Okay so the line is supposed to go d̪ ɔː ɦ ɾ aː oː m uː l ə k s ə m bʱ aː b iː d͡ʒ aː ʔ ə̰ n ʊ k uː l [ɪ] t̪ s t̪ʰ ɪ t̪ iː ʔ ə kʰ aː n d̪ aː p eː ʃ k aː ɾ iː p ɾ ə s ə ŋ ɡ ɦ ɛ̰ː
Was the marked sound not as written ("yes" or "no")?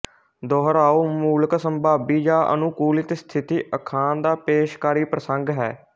no